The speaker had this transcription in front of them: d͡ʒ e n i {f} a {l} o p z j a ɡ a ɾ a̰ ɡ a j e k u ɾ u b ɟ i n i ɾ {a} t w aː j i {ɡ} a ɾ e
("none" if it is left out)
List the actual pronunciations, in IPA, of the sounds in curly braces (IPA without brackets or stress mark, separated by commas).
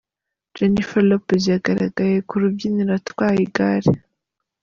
f, l, a, ɡ